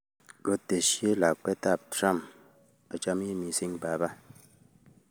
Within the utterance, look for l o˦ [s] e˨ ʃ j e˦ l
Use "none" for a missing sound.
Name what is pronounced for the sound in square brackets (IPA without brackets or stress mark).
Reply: t